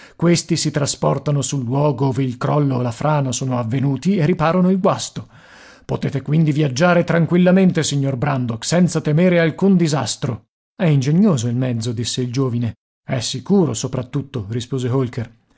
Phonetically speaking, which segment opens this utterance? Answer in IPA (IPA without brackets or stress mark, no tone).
k